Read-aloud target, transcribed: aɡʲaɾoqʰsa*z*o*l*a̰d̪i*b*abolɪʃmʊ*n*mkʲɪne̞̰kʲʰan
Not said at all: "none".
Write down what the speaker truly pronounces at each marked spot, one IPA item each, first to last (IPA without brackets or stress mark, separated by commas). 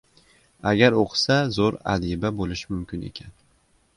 z, ɾ, b, none